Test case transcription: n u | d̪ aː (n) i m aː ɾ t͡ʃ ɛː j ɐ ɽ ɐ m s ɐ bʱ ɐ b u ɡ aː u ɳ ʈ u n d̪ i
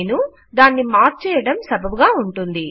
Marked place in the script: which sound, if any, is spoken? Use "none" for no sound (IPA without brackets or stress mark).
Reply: nː